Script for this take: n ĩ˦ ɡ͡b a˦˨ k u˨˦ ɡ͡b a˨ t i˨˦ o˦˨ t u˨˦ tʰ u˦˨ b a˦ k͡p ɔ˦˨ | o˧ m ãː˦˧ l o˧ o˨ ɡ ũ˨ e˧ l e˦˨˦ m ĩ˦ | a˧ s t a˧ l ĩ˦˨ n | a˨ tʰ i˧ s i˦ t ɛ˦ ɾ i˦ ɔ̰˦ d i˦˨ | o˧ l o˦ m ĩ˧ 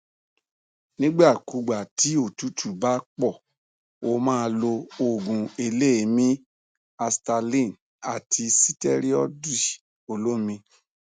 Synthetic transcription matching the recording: n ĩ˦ ɡ͡b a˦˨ k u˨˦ ɡ͡b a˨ t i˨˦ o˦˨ t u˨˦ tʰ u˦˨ b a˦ k͡p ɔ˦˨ | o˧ m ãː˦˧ l o˧ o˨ ɡ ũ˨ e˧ l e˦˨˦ m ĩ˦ | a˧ s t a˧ l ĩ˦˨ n | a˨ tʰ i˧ s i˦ t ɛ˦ ɾ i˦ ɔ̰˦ d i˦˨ | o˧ l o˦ m ĩ˧